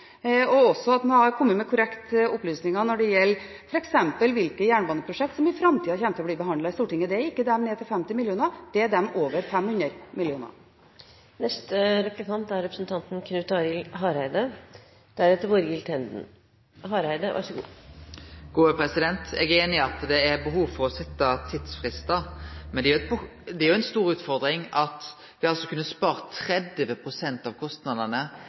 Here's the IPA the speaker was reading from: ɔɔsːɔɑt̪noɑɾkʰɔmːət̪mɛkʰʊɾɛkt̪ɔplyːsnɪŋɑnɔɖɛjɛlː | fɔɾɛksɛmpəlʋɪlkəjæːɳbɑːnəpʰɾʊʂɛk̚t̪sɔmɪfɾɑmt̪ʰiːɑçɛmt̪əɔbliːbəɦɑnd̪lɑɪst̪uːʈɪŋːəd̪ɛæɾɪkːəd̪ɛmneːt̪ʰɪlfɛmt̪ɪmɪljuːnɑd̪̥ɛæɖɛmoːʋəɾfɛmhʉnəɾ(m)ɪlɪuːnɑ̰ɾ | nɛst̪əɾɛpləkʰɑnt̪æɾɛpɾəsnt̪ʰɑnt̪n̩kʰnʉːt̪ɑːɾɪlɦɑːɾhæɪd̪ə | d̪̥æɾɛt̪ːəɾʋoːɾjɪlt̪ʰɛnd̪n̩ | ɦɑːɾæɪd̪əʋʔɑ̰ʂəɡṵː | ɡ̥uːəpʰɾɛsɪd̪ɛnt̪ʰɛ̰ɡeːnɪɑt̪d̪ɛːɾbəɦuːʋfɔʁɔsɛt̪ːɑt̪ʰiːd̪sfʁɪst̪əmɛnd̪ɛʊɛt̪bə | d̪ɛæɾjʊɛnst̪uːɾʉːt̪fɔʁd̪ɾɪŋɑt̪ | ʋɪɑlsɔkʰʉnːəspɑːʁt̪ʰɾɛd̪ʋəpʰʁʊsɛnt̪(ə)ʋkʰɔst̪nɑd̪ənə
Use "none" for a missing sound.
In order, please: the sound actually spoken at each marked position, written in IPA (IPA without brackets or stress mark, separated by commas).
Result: m, ɑ